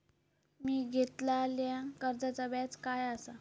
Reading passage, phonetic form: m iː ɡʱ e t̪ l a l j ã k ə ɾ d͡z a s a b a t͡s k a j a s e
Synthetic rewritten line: m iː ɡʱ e t̪ l a l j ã k ə ɾ d͡z a t͡s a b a t͡s k a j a s a

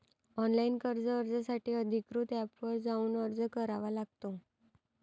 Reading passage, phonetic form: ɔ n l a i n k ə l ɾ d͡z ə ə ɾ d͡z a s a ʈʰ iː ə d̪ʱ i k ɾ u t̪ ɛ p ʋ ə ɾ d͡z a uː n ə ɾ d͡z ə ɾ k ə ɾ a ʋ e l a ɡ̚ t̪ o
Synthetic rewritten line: ɔ n l a i n k ə ɾ d͡z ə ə ɾ d͡z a s a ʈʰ iː ə d̪ʱ i k ɾ u t̪ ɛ p ʋ ə ɾ d͡z a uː n ə ɾ d͡z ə k ə ɾ a ʋ a l a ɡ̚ t̪ o

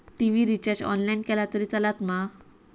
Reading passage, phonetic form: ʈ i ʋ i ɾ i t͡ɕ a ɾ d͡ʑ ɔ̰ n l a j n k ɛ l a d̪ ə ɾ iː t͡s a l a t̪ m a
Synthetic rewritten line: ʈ i ʋ i ɾ i t͡ɕ a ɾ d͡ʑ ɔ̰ n l a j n k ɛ l a t̪ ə ɾ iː t͡s a l a t̪ m a

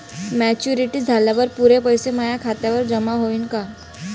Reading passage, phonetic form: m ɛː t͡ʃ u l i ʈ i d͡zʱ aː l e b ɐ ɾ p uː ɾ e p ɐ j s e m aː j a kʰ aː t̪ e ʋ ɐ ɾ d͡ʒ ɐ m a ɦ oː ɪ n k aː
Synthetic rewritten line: m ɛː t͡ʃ u ɾ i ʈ i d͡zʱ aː l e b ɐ ɾ p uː ɾ e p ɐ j s e m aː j a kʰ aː t̪ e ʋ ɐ ɾ d͡ʒ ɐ m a ɦ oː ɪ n k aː

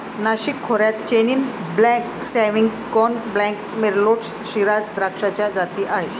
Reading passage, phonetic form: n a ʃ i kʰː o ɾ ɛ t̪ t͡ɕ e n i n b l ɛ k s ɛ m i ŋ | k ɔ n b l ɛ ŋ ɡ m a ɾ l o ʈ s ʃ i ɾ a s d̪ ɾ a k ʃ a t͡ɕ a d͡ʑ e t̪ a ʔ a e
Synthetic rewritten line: n a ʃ i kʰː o ɾ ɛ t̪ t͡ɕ e n i n b l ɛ k s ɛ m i ŋ | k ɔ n b l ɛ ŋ k m e ɾ l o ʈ s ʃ i ɾ a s d̪ ɾ a k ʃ a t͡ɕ a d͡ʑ a t̪ i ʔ a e

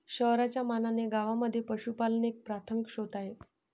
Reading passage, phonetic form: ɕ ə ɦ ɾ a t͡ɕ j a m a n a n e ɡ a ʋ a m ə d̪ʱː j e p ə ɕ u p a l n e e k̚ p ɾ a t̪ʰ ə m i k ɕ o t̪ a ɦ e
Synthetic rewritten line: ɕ ə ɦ ɾ a t͡ɕ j a m a n a n e ɡ a ʋ a m ə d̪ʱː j e p ə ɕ u p a l n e e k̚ p ɾ a t̪ʰ ə m i k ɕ o t̪ a ɦ e

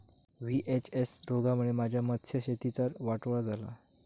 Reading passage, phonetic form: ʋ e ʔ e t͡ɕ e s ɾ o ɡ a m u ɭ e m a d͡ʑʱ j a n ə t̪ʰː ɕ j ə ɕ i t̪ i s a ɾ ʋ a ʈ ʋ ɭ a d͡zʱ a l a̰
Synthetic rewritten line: ʋ i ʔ e t͡ɕ e s ɾ o ɡ a m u ɭ e m a d͡ʑʱ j a m ə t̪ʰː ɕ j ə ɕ e t̪ i t͡s a ɾ ʋ a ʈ ʋ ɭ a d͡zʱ a l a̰

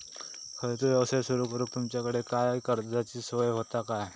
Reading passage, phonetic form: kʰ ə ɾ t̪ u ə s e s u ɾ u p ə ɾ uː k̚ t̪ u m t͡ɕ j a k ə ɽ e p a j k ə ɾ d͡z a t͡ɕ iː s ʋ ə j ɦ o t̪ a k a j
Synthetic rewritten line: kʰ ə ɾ t̪ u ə s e s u ɾ u k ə ɾ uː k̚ t̪ u m t͡ɕ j a k ə ɽ e k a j k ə ɾ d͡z a t͡ɕ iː s ʋ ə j ɦ o t̪ a k a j

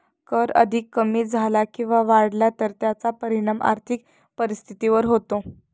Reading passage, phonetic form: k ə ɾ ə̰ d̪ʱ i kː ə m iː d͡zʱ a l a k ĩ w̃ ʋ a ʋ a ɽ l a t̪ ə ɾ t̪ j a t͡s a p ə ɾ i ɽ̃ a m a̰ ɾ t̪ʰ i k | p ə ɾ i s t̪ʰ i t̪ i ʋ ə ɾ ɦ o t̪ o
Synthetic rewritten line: k ə ɾ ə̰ d̪ʱ i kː ə m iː d͡zʱ a l a k ĩ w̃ ʋ a ʋ a ɽ l a t̪ ə ɾ t̪ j a t͡s a p ə ɾ i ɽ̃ a m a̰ ɾ t̪ʰ i k | p ə ɾ i s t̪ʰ i t̪ i ʋ ə ɾ ɦ o t̪ o

